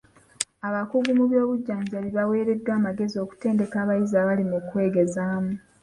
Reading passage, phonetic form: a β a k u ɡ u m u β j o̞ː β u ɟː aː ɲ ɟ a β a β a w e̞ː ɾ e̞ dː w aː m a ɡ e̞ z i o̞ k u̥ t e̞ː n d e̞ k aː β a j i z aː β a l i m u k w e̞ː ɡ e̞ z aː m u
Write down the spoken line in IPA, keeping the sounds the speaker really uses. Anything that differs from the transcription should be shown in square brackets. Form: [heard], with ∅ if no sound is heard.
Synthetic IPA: a β a k u ɡ u m u β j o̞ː β u ɟː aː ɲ ɟ a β [i] β a w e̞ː ɾ e̞ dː w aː m a ɡ e̞ z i o̞ k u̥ t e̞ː n d e̞ k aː β a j i z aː β a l i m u k w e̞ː ɡ e̞ z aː m u